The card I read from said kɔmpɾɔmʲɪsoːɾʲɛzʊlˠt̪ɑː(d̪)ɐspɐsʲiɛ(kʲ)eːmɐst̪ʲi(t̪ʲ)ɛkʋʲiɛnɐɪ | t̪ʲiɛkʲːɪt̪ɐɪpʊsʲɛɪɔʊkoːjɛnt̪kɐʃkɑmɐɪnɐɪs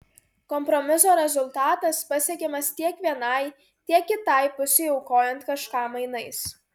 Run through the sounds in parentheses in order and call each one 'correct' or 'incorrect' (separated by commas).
incorrect, correct, incorrect